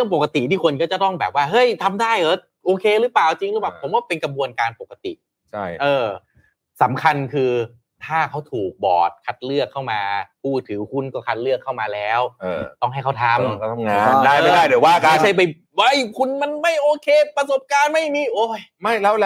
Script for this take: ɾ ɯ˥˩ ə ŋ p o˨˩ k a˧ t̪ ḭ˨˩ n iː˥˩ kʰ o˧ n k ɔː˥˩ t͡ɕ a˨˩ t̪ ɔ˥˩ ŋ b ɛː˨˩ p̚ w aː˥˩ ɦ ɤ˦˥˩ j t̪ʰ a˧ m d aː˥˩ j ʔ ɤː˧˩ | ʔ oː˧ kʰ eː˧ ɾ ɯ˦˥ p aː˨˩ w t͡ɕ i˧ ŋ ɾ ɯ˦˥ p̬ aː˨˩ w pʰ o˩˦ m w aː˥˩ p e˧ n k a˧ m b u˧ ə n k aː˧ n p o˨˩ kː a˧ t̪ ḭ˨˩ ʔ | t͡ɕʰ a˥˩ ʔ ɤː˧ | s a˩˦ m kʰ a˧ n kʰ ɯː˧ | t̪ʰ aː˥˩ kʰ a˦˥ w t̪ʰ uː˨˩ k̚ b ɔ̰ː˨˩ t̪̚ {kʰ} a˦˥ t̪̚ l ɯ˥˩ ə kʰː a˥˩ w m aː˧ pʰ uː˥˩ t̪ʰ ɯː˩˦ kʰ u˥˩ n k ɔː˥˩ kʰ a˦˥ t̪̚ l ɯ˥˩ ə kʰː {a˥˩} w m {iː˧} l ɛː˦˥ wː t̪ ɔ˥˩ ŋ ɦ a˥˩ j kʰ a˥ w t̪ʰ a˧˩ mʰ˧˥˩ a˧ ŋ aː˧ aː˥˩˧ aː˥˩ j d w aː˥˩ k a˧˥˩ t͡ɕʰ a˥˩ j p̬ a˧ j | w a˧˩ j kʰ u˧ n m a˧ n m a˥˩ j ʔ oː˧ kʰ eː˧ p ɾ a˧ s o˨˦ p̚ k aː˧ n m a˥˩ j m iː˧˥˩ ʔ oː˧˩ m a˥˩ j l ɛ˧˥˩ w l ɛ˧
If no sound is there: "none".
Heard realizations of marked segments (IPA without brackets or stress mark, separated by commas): kʰ, a˥˩, aː˧